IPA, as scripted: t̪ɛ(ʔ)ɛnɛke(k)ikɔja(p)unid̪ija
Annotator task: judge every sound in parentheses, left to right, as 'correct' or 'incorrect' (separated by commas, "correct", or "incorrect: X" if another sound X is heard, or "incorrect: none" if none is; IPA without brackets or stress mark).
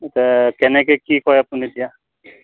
incorrect: k, correct, correct